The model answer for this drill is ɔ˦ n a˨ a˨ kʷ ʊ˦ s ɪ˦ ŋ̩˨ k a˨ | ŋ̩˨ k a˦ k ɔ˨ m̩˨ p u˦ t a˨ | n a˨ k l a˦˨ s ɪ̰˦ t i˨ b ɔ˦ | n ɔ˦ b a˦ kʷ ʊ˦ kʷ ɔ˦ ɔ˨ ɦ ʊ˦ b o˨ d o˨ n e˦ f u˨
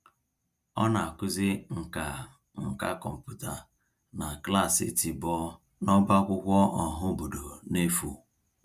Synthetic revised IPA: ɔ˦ n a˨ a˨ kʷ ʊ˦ z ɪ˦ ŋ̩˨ k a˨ | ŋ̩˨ k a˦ k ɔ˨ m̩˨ p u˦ t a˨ | n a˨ k l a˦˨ s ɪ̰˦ t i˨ b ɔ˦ | n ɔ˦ b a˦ kʷ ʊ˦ kʷ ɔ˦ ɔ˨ ɦ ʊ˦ b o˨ d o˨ n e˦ f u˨

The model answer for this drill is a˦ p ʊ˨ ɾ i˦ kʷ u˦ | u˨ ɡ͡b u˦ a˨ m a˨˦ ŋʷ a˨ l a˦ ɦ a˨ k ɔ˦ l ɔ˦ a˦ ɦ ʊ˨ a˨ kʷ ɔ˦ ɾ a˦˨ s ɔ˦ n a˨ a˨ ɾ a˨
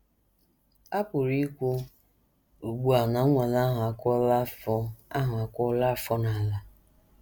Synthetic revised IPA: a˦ p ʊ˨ ɾ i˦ kʷ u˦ | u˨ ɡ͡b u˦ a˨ n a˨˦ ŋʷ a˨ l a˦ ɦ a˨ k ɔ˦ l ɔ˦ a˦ ɦ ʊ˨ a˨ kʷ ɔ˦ l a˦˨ f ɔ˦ n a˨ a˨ l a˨

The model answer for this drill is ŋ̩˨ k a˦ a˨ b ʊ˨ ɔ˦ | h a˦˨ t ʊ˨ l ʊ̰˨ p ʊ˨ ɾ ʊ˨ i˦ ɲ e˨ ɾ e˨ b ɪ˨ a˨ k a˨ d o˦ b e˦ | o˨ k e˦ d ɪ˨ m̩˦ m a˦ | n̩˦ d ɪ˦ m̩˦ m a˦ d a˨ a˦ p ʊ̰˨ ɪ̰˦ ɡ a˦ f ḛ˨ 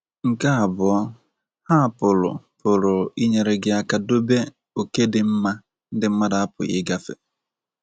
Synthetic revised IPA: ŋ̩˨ k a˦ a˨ b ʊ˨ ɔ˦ | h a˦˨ p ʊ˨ l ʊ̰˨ p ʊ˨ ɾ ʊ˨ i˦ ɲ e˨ ɾ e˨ ɡ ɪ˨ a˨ k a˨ d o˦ b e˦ | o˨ k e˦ d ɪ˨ m̩˦ m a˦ | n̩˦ d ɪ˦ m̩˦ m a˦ d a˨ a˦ p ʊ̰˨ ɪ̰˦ ɡ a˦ f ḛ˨

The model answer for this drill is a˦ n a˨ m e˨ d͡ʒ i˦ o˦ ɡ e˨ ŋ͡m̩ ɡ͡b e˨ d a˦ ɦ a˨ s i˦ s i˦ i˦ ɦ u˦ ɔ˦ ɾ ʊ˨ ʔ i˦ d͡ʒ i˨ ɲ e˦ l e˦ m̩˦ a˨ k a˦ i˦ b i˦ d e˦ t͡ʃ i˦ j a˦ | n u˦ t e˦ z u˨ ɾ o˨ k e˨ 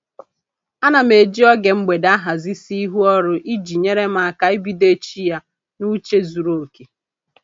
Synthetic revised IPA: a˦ n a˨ m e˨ d͡ʒ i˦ ɔ˦ ɡ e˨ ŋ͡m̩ ɡ͡b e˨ d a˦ ɦ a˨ z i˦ s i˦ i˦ ɦ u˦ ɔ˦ ɾ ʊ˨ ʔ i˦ d͡ʒ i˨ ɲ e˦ ɾ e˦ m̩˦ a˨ k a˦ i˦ b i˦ d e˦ t͡ʃ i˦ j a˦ | n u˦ t͡ʃ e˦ z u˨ ɾ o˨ k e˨

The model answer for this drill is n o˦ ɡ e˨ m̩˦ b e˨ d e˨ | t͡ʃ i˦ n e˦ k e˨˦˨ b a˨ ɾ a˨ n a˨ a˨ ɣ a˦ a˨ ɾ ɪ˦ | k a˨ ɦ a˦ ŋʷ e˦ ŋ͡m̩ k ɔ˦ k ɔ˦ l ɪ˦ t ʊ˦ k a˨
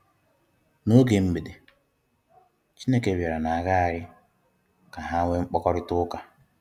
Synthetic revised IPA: n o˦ ɡ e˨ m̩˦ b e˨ d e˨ | t͡ʃ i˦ n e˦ k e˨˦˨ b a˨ ɾ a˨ n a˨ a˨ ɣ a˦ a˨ ɾ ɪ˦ | k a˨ ɦ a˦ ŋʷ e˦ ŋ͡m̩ k͡p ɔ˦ k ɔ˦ ɾ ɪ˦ t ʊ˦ k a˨

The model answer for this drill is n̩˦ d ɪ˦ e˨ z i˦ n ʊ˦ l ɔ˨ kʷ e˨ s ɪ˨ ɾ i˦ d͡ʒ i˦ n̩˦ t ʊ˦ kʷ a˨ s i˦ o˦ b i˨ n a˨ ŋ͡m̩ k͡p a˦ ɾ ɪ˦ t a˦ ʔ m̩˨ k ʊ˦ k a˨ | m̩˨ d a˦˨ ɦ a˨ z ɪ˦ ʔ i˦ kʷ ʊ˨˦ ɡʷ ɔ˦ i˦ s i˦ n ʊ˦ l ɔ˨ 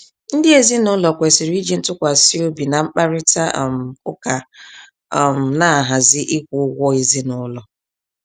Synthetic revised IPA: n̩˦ d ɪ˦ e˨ z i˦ n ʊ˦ l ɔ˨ kʷ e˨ s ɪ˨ ɾ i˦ d͡ʒ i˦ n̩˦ t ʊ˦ kʷ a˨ s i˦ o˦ b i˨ n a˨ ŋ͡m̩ k͡p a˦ ɾ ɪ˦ t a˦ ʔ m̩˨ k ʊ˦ k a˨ | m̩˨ n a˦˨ ɦ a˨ z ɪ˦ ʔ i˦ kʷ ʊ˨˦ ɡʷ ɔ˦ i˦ z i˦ n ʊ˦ l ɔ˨

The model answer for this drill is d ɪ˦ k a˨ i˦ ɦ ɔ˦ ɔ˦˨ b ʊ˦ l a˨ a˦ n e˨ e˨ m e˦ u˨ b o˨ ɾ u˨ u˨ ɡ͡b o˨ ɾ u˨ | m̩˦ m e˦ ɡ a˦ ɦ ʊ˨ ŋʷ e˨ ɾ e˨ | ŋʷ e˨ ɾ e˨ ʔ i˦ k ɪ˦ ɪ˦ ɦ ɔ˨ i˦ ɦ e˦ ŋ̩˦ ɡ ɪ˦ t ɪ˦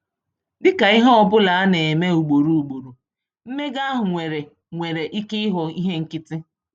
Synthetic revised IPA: d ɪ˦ k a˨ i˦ ɦ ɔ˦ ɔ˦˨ b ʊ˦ l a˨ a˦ n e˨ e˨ m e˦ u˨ ɡ͡b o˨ ɾ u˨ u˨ ɡ͡b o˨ ɾ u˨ | m̩˦ m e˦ ɡ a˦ ɦ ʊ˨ ŋʷ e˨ ɾ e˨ | ŋʷ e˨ ɾ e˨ ʔ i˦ k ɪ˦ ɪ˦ ɦ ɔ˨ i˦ ɦ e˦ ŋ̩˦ k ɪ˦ t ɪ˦

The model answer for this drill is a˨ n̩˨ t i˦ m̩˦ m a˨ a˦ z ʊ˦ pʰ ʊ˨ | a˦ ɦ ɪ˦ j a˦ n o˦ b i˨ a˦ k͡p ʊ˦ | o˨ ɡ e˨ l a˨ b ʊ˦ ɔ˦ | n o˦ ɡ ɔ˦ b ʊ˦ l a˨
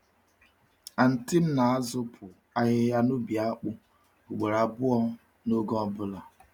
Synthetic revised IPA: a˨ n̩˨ t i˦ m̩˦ n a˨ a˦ z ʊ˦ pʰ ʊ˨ | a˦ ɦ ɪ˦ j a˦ n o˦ b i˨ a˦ k͡p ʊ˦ | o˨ ɡ͡b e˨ ɾ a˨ b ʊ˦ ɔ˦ | n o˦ ɡ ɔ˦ b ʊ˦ l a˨

